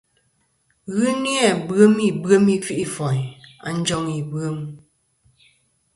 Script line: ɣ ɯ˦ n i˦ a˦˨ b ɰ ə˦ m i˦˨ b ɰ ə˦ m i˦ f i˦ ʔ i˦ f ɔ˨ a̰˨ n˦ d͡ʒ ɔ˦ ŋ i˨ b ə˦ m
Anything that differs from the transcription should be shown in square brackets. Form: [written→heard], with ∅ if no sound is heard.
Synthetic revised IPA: ɣ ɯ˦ n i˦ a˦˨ b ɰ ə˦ m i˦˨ b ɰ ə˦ m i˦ f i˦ ʔ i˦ f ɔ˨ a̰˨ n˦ d͡ʒ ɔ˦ ŋ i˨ b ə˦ m